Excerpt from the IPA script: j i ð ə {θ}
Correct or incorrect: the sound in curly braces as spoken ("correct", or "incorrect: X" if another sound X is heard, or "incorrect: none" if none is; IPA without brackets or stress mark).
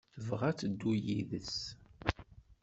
incorrect: s